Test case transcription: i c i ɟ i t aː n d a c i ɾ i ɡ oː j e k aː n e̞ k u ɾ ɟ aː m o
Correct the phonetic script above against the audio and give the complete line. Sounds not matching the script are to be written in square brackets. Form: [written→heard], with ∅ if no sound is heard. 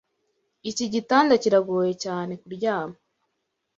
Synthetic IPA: i c i ɟ i t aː n d a c i ɾ [i→a] ɡ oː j e [k→c] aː n e̞ k u ɾ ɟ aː m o